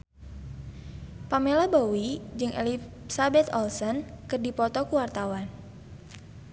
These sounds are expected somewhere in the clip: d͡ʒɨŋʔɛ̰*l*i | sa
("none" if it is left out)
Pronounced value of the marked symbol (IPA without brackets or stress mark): l